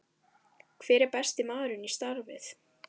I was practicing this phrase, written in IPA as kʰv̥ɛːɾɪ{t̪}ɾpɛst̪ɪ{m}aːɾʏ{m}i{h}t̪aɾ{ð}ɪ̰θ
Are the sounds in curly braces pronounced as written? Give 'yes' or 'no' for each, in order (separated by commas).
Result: no, yes, no, no, no